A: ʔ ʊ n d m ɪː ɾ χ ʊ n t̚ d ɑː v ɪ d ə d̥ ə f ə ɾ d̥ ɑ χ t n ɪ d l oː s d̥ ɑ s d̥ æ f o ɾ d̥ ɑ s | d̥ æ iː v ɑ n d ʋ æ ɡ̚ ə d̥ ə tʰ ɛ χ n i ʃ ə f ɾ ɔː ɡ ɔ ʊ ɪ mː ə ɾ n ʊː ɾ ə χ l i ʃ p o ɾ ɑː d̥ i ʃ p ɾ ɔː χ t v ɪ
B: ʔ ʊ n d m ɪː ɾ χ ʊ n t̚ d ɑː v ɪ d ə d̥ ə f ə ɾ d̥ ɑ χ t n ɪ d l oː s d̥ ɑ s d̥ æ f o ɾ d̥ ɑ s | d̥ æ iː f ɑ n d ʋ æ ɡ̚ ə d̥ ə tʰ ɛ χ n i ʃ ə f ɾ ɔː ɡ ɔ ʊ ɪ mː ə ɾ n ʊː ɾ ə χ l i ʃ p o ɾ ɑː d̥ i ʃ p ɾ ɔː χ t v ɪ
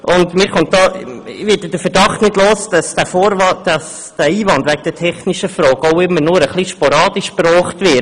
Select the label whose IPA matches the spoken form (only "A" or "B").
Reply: A